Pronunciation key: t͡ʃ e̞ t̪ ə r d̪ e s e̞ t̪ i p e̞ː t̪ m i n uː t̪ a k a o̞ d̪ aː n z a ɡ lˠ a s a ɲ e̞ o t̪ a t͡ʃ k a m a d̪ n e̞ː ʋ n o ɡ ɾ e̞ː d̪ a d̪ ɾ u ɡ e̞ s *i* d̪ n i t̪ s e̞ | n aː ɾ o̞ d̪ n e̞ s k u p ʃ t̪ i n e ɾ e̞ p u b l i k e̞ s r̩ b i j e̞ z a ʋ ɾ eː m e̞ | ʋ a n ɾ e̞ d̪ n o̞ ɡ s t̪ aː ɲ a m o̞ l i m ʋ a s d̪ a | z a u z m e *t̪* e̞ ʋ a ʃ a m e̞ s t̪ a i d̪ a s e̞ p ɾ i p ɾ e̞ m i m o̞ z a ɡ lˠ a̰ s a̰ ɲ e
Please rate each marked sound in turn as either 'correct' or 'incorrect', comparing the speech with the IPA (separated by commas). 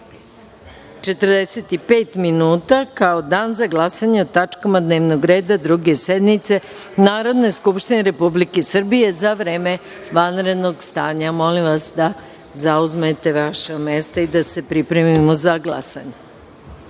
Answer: incorrect, correct